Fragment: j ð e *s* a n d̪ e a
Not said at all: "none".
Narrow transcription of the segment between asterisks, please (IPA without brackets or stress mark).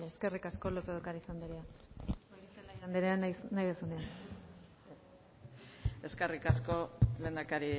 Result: s